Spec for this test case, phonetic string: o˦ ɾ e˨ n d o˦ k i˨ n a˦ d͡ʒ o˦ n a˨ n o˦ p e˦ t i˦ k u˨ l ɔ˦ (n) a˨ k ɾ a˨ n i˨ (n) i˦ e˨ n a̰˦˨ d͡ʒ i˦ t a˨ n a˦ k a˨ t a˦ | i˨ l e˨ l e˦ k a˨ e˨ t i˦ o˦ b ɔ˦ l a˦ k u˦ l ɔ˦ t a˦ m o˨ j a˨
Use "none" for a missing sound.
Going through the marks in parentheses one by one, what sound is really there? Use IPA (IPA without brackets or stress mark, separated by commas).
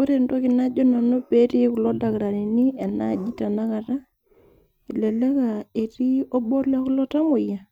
d, n